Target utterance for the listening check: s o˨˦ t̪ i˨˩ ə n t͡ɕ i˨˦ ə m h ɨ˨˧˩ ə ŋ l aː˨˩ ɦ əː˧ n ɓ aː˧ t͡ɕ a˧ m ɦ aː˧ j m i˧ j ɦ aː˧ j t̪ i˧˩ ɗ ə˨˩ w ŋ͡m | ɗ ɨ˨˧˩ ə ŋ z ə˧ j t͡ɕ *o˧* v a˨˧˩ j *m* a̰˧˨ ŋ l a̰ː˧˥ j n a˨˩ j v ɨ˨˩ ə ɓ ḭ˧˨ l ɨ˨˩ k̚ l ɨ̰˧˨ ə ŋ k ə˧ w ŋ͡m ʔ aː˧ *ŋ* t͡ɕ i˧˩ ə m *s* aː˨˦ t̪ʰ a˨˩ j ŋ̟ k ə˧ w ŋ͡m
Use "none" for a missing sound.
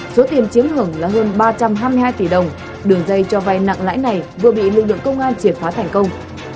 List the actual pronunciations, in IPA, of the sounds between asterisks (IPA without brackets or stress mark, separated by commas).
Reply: ɔ˧, n, n, f